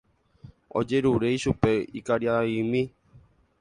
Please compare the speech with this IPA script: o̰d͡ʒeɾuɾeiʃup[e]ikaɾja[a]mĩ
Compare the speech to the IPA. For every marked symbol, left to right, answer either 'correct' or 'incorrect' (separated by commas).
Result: correct, incorrect